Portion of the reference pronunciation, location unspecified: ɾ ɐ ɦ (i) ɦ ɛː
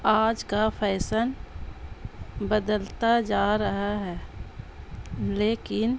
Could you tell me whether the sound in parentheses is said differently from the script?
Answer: yes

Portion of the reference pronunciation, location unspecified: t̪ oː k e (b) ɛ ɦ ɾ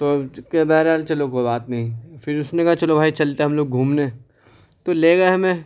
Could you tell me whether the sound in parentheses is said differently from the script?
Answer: no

